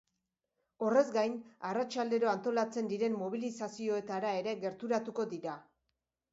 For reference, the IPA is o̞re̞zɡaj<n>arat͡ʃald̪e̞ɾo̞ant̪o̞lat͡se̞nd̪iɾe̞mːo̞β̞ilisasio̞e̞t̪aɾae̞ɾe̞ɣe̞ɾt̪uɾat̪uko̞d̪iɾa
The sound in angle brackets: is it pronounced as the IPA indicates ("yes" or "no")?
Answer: yes